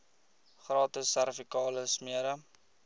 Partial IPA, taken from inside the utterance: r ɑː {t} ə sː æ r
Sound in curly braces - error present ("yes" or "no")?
no